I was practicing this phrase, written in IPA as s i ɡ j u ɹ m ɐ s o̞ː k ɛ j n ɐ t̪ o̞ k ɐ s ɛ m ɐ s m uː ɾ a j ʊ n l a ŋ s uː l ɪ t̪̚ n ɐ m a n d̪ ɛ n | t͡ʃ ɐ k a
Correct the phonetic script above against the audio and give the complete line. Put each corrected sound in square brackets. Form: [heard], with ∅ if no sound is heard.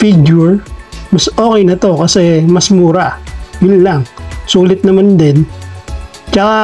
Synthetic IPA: [f] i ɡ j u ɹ m ɐ s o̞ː k ɛ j n ɐ t̪ o̞ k ɐ s ɛ m ɐ s m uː ɾ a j ʊ n l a ŋ s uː l ɪ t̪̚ n ɐ m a n d̪ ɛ n | t͡ʃ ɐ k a

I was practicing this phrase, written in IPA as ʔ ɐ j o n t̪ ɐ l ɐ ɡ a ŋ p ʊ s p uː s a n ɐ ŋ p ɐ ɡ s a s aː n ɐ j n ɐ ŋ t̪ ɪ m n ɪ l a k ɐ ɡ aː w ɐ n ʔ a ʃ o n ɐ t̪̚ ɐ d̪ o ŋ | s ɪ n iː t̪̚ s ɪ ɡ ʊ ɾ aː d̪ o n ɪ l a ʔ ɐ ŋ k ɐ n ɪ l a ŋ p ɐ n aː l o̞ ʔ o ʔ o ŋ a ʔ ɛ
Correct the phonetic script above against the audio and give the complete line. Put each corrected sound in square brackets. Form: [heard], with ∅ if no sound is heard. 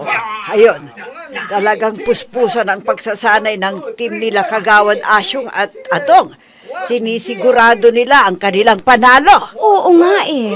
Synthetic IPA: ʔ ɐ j o n t̪ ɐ l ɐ ɡ a ŋ p ʊ s p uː s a n ɐ ŋ p ɐ ɡ s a s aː n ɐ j n ɐ ŋ t̪ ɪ m n ɪ l a k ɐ ɡ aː w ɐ n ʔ a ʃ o [ŋ] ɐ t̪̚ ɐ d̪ o ŋ | s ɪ n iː [∅] s ɪ ɡ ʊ ɾ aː d̪ o n ɪ l a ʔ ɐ ŋ k ɐ n ɪ l a ŋ p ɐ n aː l o̞ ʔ o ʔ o ŋ a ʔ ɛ

